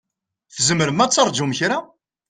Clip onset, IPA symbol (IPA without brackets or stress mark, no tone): θ